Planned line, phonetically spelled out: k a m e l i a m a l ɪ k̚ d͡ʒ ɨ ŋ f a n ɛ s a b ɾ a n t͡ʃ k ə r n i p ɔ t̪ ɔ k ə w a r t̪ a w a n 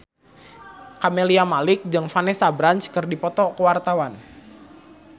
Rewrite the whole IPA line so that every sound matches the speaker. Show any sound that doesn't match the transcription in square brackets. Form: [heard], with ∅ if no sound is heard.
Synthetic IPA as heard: k a m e l i a m a l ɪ k̚ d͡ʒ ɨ ŋ f a n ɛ s a b ɾ a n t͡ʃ k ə r [d] i p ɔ t̪ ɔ k ə w a r t̪ a w a n